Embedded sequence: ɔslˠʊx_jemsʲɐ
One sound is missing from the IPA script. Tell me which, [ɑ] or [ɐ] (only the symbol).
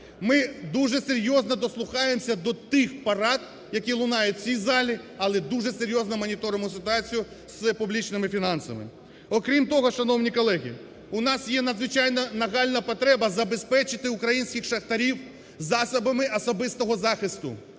ɑ